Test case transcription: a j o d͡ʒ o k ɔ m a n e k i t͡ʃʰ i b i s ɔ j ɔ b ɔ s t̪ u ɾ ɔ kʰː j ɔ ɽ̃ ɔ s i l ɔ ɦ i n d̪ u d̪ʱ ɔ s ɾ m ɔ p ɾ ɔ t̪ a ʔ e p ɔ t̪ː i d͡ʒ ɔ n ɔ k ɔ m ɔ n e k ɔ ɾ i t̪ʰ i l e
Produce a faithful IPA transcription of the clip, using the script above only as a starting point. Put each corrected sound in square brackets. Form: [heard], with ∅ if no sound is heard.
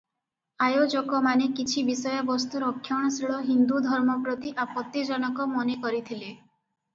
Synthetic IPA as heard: a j o d͡ʒ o k ɔ m a n e k i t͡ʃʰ i b i s ɔ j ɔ b ɔ s t̪ u ɾ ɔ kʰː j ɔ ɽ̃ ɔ s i [ɭ] ɔ ɦ i n d̪ u d̪ʱ ɔ [∅] ɾ m ɔ p ɾ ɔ t̪ [i] ʔ [a] p ɔ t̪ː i d͡ʒ ɔ n ɔ k ɔ m ɔ n e k ɔ ɾ i t̪ʰ i l e